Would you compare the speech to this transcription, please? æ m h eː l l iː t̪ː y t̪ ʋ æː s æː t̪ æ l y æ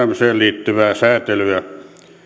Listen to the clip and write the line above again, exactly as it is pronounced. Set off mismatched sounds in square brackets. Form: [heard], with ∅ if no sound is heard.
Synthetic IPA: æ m [s] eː l l iː t̪ː y [∅] ʋ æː s æː t̪ [e] l y æ